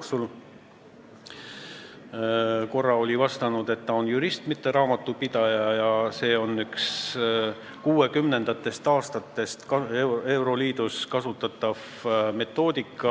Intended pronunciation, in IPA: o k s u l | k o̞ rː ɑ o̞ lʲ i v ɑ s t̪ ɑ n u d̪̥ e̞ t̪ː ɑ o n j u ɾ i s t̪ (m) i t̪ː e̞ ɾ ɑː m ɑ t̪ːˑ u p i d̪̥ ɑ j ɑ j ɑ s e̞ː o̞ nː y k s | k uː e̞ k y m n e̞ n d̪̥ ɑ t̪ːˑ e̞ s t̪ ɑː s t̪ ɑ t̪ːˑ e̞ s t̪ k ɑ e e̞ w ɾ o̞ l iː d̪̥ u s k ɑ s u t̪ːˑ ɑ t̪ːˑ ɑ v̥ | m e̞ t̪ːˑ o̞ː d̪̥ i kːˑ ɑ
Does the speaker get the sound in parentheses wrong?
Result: no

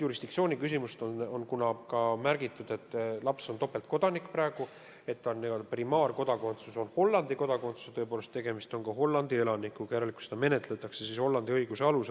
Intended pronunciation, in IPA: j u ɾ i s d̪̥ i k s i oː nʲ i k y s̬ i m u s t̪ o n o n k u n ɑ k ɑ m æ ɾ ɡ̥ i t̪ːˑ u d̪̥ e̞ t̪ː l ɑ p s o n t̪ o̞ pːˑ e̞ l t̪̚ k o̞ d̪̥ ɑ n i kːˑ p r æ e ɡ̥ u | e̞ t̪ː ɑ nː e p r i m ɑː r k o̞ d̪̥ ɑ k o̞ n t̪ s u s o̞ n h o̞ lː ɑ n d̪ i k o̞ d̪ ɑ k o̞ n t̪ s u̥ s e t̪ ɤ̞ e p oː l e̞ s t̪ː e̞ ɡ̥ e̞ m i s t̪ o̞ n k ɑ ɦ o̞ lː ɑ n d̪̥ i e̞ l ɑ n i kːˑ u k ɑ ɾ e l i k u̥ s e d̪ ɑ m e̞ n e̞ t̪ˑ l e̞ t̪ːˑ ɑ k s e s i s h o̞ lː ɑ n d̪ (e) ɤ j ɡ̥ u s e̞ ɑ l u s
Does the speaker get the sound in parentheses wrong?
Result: yes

